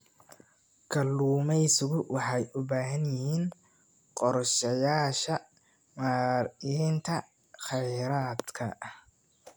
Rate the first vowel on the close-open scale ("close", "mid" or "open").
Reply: open